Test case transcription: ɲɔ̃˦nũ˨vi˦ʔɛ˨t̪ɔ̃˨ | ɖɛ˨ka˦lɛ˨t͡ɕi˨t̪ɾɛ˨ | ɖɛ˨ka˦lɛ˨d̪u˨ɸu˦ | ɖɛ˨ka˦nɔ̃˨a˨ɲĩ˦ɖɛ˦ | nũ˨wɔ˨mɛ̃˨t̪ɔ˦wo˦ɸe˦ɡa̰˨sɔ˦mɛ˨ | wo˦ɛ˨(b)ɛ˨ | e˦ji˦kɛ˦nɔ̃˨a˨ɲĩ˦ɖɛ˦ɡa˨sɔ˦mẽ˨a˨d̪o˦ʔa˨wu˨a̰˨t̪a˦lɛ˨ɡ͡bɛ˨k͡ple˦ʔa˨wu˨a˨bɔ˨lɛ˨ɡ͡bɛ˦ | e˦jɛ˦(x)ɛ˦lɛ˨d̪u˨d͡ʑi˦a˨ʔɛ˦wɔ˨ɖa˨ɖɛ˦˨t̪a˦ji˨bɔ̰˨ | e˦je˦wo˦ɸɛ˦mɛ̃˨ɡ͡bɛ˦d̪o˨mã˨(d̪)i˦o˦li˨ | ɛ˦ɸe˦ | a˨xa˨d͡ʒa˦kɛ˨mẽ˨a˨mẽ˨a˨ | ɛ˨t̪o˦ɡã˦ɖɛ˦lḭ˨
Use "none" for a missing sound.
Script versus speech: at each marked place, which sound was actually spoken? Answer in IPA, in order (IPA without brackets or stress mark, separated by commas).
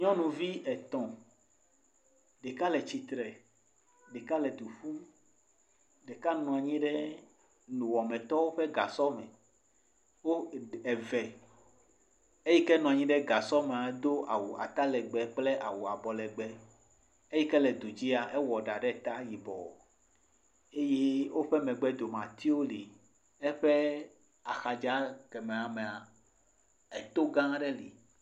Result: v, k, t̪